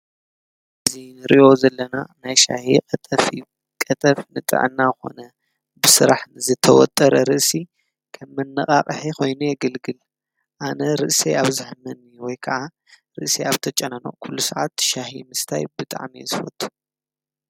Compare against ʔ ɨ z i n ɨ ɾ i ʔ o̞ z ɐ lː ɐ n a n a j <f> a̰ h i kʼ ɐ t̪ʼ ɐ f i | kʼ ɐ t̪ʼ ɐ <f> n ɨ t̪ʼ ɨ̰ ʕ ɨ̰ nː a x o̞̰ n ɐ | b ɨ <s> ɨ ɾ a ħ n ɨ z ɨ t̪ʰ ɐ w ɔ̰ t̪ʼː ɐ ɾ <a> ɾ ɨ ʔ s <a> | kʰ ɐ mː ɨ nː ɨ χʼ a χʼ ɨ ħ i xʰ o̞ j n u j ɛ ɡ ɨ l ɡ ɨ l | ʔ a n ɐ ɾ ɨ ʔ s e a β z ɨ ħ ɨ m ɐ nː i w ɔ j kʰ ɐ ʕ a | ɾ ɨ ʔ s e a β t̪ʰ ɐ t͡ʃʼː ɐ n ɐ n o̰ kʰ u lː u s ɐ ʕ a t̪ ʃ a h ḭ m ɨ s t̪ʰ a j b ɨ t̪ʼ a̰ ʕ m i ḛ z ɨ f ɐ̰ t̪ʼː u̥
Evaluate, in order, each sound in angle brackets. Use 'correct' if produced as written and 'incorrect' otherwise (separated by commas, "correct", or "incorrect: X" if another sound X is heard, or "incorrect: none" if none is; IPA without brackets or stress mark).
incorrect: ʃ, correct, correct, incorrect: ɐ, incorrect: i